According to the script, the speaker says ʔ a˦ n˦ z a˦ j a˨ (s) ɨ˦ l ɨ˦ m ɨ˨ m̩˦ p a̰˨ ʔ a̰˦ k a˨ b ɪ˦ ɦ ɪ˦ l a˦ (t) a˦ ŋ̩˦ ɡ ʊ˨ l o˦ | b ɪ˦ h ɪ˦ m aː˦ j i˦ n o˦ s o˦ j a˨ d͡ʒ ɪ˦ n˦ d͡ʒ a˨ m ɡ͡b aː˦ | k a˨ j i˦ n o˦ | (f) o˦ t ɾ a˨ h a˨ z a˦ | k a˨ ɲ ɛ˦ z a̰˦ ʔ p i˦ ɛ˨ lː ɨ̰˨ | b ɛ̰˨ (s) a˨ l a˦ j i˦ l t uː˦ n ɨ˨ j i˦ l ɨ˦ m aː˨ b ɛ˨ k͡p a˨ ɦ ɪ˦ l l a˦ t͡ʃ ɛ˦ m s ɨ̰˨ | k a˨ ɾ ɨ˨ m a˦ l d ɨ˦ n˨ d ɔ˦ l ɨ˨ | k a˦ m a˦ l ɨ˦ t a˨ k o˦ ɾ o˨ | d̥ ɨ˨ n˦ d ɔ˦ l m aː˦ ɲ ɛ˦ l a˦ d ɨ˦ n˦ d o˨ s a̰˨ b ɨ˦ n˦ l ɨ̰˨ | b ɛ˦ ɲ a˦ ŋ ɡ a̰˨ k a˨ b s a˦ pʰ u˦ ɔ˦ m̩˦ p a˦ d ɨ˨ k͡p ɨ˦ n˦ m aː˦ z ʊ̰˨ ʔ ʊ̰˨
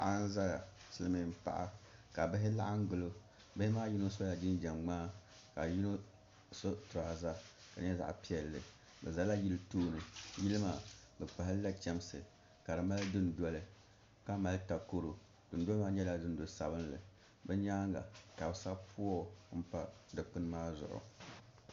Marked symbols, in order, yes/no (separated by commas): yes, no, no, no